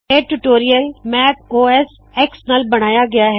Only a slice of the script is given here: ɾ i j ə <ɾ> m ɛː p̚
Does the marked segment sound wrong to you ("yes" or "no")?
yes